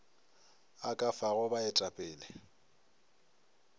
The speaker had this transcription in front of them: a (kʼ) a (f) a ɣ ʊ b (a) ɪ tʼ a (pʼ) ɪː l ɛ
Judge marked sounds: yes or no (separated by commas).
yes, yes, yes, yes